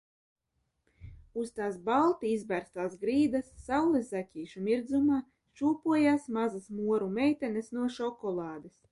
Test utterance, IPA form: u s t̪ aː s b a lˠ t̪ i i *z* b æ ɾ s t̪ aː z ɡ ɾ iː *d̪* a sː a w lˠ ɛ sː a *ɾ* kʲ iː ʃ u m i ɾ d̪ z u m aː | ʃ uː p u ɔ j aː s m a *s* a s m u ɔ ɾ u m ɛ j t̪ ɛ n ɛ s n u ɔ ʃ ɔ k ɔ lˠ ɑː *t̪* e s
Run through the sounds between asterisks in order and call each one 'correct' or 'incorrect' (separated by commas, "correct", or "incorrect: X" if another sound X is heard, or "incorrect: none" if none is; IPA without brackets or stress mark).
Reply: correct, correct, incorrect: none, incorrect: z, incorrect: d̪